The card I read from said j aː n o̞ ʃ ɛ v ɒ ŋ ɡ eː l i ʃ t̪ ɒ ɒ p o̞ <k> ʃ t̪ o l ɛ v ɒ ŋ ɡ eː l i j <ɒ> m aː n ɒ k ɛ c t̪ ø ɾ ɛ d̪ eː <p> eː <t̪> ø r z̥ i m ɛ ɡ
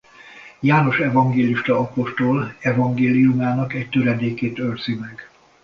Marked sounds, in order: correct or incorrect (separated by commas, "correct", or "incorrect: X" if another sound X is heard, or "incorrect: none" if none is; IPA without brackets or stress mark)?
incorrect: none, incorrect: u, incorrect: k, correct